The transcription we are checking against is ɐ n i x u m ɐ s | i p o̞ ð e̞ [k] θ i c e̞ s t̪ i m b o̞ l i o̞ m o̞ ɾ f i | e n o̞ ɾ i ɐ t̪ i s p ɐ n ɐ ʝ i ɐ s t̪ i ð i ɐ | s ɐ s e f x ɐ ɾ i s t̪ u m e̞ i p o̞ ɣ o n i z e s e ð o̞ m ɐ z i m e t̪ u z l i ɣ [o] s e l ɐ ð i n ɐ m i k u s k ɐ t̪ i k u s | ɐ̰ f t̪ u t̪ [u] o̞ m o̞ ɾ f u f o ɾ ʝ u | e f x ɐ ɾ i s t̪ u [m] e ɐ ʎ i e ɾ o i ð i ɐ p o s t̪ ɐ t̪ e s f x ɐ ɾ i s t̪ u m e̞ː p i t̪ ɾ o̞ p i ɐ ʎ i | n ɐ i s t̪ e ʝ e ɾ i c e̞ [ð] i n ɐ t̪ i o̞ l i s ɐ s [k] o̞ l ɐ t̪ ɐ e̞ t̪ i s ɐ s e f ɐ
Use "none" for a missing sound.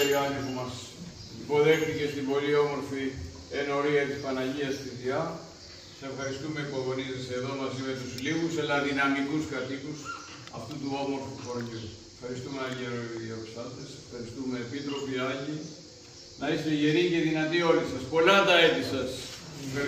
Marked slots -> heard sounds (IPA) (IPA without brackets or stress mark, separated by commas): x, u, u, m, ð, p